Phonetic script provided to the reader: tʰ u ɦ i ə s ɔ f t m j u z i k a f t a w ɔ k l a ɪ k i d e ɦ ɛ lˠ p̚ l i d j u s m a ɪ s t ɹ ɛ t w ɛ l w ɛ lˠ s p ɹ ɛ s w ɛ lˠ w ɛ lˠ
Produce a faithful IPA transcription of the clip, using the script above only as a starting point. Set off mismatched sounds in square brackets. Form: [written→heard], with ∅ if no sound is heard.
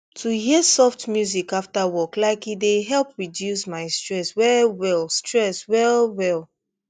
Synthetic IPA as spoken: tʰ u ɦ i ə s ɔ f t m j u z i k a f t a w ɔ k l a ɪ k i d e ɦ ɛ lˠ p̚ [l→ɹ] i d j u s m a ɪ s t ɹ ɛ [t→s] w ɛ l w ɛ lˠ s [p→t] ɹ ɛ s w ɛ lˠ w ɛ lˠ